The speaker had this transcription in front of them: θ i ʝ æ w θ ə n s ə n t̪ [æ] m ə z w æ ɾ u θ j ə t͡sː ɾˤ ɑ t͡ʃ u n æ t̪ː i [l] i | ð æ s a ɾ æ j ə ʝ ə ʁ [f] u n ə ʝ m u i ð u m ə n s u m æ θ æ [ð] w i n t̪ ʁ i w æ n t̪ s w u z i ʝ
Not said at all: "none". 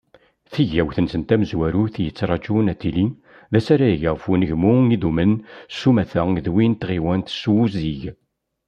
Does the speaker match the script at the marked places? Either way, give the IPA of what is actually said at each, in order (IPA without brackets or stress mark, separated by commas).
æ, l, f, ð